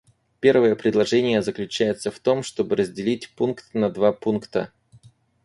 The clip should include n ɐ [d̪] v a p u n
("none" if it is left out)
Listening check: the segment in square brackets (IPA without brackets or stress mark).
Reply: d̪